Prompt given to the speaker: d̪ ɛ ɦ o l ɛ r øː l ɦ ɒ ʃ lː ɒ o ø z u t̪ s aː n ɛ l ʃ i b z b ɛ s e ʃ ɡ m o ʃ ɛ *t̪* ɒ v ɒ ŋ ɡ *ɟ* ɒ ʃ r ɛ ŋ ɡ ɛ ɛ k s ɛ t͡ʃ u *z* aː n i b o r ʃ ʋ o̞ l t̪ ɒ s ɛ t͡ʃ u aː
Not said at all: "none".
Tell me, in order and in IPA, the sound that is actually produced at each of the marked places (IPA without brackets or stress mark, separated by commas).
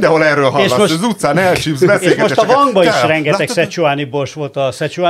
t̪, b, none